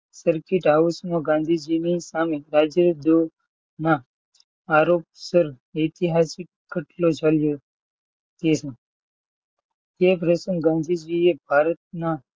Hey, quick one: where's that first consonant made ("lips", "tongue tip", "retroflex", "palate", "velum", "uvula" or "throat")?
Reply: tongue tip